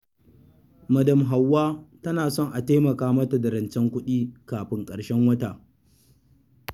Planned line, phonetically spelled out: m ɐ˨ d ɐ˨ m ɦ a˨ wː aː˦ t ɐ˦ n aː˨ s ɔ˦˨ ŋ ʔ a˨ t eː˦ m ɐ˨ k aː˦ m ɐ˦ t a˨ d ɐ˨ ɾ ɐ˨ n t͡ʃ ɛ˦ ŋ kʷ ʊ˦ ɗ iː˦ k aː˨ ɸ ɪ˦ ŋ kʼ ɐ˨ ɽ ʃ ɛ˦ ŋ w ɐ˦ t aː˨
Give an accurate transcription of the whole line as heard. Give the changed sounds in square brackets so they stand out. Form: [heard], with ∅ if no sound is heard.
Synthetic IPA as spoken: m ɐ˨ d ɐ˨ m ɦ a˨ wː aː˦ t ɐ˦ n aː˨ s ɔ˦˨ ŋ ʔ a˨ t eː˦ m ɐ˨ k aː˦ m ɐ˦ t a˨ d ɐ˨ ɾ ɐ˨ n t͡ʃ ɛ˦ ŋ kʷ ʊ˦ ɗ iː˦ k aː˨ ɸ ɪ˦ ŋ kʼ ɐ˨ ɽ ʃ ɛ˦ ŋ w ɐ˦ t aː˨